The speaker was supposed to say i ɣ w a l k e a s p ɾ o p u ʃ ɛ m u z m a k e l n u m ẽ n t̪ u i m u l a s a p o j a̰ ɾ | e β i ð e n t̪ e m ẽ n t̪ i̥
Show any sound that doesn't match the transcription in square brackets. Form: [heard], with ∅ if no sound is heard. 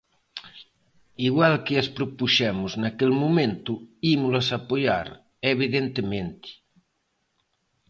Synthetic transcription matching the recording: i ɣ w a l k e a s p ɾ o p u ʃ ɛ m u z [n] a k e l [m] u m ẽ n t̪ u i m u l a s a p o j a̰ ɾ | e β i ð e n t̪ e m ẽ n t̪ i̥